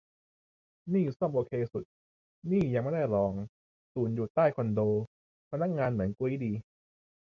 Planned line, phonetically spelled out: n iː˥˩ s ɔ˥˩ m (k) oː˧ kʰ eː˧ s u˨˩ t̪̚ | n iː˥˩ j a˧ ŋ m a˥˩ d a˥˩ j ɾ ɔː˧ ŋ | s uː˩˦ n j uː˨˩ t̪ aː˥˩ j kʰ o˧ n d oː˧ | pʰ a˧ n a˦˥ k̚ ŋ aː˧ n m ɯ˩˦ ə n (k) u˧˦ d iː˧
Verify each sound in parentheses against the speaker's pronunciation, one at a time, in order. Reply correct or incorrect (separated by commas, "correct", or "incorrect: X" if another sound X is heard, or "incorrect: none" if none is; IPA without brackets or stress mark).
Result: incorrect: ʔ, correct